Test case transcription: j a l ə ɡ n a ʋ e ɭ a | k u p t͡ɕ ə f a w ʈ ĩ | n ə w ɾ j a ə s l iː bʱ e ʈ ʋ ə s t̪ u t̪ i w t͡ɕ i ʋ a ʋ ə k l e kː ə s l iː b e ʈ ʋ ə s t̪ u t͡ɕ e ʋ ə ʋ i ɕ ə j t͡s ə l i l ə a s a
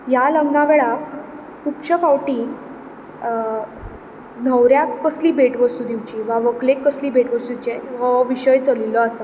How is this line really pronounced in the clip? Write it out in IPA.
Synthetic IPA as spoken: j a l ə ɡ n a ʋ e ɭ a | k u p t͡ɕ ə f a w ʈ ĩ | n ə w ɾ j a ə s l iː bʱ e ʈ ʋ ə s t̪ u d̪ i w t͡ɕ i ʋ a ʋ ə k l e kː ə s l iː b e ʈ ʋ ə s t̪ u t͡ɕ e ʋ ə ʋ i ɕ ə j t͡s ə l i l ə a s a